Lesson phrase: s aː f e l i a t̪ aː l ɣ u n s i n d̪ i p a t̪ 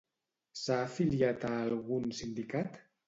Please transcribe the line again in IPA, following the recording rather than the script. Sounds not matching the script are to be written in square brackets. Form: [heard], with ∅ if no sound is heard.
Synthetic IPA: s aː f [i] l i a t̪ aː l ɣ u n s i n d̪ i [k] a t̪